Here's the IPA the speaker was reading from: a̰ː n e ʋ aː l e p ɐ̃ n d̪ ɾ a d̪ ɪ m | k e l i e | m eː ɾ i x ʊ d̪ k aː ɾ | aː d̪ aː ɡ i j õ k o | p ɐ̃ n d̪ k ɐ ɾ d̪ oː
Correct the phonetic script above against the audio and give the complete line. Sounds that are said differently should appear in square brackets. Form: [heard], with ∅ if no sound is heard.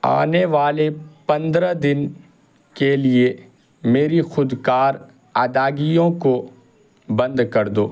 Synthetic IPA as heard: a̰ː n e ʋ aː l e p ɐ̃ n d̪ ɾ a d̪ ɪ [n] | k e l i e | m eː ɾ i x ʊ d̪ k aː ɾ | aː d̪ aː ɡ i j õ k o | [b] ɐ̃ n d̪ k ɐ ɾ d̪ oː